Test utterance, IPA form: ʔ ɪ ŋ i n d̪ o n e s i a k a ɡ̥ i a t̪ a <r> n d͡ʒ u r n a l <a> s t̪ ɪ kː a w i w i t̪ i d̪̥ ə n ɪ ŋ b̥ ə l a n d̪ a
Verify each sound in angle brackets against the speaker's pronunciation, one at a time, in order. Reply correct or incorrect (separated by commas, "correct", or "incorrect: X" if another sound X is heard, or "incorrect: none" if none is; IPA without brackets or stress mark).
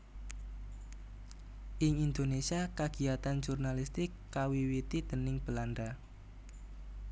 incorrect: none, incorrect: i